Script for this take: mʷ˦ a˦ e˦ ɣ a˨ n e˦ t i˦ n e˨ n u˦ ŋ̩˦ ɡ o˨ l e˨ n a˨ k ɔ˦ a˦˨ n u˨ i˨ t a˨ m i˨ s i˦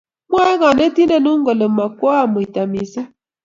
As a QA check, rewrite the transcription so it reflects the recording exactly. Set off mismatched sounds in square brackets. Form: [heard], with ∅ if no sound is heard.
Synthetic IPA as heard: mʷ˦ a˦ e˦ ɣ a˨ n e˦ t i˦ n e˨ n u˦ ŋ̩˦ ɡ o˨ l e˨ [m] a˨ k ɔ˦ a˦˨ [m] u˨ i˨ t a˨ m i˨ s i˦